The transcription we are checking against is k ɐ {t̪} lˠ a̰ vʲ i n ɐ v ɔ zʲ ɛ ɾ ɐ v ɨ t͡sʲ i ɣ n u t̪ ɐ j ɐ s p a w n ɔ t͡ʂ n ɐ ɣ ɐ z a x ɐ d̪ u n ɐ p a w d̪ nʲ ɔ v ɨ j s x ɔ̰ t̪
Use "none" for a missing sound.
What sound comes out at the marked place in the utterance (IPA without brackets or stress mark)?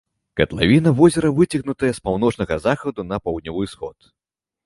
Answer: t̪